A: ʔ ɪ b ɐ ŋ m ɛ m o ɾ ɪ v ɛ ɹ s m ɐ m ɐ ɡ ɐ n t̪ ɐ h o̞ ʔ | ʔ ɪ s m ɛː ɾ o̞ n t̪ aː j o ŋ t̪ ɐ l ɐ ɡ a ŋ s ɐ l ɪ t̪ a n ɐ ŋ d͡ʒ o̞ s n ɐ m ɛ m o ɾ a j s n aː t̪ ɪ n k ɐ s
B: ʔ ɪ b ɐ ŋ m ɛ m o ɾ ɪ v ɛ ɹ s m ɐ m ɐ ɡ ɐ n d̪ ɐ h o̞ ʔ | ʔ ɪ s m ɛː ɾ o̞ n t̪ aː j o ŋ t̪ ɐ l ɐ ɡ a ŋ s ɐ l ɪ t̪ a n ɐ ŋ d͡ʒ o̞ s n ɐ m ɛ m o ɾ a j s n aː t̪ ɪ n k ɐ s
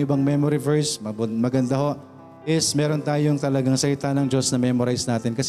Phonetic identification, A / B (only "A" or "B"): B